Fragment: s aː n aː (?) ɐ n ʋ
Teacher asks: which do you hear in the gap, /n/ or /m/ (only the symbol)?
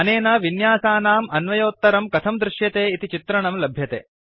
m